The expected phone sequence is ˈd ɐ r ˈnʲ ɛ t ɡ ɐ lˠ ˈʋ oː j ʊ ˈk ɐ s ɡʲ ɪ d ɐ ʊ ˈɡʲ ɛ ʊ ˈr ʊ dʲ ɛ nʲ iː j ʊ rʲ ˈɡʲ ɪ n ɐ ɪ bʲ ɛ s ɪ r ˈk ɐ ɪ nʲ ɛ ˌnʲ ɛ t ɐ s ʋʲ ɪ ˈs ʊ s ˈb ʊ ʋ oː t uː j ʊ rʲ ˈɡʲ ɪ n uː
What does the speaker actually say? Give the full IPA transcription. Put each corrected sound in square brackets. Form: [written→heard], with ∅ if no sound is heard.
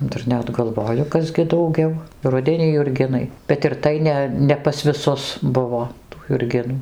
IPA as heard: ˈd ɐ r ˈnʲ ɛ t ɡ ɐ lˠ ˈʋ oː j ʊ ˈk ɐ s ɡʲ ɪ d ɐ ʊ ˈɡʲ ɛ ʊ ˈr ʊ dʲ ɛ nʲ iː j ʊ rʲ ˈɡʲ ɪ n ɐ ɪ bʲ ɛ [s→t] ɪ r [ˈk→ˈt] ɐ ɪ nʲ ɛ ˌnʲ ɛ [t→p] ɐ s ʋʲ ɪ ˈs ʊ s ˈb ʊ ʋ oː t uː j ʊ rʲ ˈɡʲ ɪ n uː

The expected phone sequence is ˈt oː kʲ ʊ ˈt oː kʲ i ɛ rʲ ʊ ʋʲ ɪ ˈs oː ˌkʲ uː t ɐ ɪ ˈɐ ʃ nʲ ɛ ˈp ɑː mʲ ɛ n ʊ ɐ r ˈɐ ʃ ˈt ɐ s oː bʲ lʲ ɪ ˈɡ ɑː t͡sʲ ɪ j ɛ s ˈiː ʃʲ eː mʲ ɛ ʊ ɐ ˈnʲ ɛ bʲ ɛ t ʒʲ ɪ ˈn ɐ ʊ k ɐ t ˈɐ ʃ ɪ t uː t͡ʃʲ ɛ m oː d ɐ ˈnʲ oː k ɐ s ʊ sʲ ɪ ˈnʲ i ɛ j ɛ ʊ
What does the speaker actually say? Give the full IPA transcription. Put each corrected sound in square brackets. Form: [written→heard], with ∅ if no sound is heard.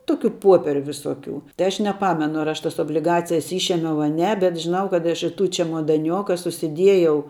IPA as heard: ˈt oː kʲ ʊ [ˈt→ˈp] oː [kʲ→pʲ] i ɛ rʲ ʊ ʋʲ ɪ ˈs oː ˌkʲ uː t ɐ ɪ ˈɐ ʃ nʲ ɛ ˈp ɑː mʲ ɛ n ʊ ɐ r ˈɐ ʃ ˈt ɐ s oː bʲ lʲ ɪ ˈɡ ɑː t͡sʲ ɪ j ɛ s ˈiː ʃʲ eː mʲ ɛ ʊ ɐ ˈnʲ ɛ bʲ ɛ t ʒʲ ɪ ˈn ɐ ʊ k ɐ t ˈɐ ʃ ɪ t uː t͡ʃʲ ɛ m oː d ɐ ˈnʲ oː k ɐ s ʊ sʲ ɪ [ˈnʲ→ˈdʲ] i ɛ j ɛ ʊ

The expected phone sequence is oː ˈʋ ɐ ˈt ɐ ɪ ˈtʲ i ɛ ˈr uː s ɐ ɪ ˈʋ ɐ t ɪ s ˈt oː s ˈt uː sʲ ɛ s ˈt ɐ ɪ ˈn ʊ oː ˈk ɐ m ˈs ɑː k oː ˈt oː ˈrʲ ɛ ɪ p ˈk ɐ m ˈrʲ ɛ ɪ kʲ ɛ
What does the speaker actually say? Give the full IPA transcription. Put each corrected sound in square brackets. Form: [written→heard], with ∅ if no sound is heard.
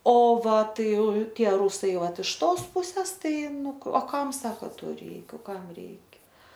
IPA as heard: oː ˈʋ ɐ ˈt ɐ ɪ ˈtʲ i ɛ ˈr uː s ɐ ɪ ˈʋ ɐ t ɪ [s→ʃ] ˈt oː s [ˈt→ˈp] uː sʲ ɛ s ˈt ɐ ɪ ˈn ʊ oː ˈk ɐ m ˈs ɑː k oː ˈt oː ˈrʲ ɛ ɪ [p→k] ˈk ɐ m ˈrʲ ɛ ɪ kʲ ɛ

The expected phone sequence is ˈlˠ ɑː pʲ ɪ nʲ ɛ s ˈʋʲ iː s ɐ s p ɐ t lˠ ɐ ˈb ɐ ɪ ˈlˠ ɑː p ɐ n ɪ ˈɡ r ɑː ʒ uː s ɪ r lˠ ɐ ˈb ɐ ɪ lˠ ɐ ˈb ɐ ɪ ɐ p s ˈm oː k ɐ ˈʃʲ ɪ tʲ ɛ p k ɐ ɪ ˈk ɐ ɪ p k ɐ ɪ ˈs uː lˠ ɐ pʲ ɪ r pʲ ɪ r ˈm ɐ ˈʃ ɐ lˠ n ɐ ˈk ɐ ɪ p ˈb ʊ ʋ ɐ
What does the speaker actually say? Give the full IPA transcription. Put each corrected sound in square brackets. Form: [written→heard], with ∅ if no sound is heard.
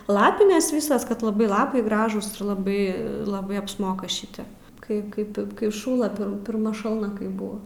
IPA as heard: ˈlˠ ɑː pʲ ɪ nʲ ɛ s ˈʋʲ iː s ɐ s [p→k] ɐ t lˠ ɐ ˈb ɐ ɪ ˈlˠ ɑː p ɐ [n→∅] ɪ ˈɡ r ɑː ʒ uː s ɪ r lˠ ɐ ˈb ɐ ɪ lˠ ɐ ˈb ɐ ɪ ɐ p s ˈm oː k ɐ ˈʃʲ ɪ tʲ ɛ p k ɐ ɪ ˈk ɐ ɪ p k ɐ ɪ [ˈs→ˈʃ] uː lˠ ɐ pʲ ɪ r pʲ ɪ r ˈm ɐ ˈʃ ɐ lˠ n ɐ ˈk ɐ ɪ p ˈb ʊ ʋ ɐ

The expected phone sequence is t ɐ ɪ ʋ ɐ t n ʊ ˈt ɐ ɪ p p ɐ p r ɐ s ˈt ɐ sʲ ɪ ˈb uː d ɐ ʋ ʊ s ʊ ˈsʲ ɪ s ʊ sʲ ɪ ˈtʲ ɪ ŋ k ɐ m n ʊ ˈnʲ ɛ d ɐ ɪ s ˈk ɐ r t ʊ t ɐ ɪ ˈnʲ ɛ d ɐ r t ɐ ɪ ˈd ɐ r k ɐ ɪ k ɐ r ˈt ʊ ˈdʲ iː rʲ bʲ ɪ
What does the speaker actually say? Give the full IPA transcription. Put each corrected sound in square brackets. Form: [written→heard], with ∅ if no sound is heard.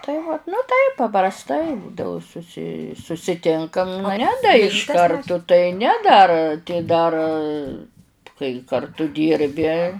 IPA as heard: t ɐ ɪ ʋ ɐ t n ʊ ˈt ɐ ɪ p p ɐ p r ɐ s ˈt ɐ [sʲ→∅] ɪ ˈb uː d ɐ ʋ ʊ s ʊ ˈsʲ ɪ s ʊ sʲ ɪ ˈtʲ ɪ ŋ k ɐ m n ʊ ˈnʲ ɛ d ɐ ɪ [s→ʃ] ˈk ɐ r t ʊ t ɐ ɪ ˈnʲ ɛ d ɐ r t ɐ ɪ ˈd ɐ r k ɐ ɪ k ɐ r ˈt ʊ ˈdʲ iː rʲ bʲ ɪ

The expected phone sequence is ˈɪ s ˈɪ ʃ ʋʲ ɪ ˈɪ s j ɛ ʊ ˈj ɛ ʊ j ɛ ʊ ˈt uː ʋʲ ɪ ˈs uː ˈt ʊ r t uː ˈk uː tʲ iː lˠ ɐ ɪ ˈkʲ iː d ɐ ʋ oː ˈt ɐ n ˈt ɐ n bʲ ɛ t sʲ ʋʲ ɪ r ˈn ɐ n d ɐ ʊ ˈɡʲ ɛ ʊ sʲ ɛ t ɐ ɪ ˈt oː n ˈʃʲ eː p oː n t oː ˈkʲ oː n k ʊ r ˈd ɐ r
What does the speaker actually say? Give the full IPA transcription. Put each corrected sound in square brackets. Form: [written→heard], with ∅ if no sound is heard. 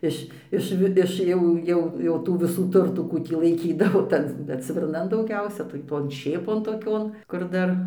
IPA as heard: ˈɪ [s→ʃ] ˈɪ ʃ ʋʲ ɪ ˈɪ [s→ʃ] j ɛ ʊ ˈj ɛ ʊ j ɛ ʊ ˈt uː ʋʲ ɪ ˈs uː ˈt ʊ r t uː ˈk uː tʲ iː lˠ ɐ ɪ ˈkʲ iː d ɐ ʋ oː ˈt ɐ n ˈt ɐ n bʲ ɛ t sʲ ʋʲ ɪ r ˈn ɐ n d ɐ ʊ ˈɡʲ ɛ ʊ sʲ ɛ t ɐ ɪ ˈt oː n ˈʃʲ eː p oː n t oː ˈkʲ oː n k ʊ r ˈd ɐ r

